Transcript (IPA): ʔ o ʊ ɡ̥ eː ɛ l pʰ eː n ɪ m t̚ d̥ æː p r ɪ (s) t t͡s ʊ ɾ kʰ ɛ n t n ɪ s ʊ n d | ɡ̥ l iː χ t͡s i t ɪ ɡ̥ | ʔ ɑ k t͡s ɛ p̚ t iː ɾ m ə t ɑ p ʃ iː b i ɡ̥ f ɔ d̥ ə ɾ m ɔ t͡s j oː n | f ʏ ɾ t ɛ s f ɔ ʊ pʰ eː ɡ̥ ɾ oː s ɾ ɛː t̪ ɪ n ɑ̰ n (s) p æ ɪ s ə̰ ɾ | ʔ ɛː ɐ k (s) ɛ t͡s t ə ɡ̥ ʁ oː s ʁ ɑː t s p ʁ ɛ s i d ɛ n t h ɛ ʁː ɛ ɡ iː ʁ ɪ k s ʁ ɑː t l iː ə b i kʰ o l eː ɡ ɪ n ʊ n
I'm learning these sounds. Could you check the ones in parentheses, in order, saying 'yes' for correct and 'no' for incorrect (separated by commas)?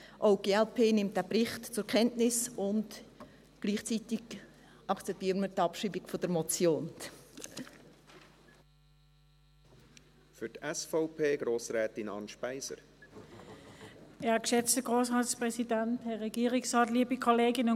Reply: no, no, no